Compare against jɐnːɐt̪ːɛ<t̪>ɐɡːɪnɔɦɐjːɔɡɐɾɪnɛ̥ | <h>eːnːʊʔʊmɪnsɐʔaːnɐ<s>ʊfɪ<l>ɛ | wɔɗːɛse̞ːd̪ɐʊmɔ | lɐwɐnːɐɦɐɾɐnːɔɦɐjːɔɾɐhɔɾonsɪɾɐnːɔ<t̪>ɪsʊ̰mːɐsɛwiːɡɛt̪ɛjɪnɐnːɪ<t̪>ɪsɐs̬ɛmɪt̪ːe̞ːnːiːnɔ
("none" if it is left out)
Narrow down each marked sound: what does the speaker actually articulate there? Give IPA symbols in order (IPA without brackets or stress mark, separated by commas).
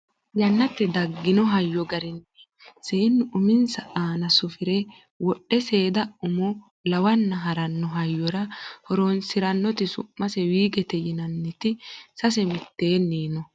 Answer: d̪, s, s, ɾ, t̪, t̪